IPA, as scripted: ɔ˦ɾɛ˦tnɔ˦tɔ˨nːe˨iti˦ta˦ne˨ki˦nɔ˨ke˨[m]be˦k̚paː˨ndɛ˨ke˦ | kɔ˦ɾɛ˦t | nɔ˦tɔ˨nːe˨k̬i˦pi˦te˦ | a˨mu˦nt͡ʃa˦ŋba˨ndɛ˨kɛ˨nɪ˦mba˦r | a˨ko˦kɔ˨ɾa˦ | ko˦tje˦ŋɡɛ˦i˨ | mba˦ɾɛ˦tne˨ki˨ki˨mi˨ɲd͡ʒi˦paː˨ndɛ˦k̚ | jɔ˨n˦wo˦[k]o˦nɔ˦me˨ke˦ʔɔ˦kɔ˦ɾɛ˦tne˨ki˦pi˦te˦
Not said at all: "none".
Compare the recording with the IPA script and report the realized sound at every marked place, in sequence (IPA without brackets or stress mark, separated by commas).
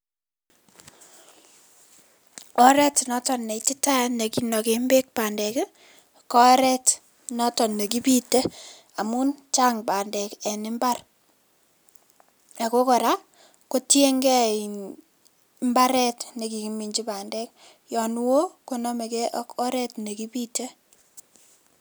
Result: m, k